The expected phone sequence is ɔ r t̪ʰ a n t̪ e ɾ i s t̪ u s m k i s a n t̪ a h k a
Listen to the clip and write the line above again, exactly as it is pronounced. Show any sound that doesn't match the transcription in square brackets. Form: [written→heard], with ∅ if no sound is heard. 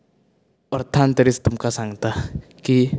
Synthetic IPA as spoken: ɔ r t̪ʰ a n t̪ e ɾ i s t̪ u [s→∅] m k [i→a] s a [n→ŋ] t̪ a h k [a→i]